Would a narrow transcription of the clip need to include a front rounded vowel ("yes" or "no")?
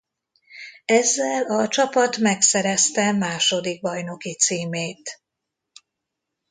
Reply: no